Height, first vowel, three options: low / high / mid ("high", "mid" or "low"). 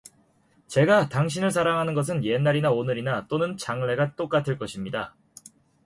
mid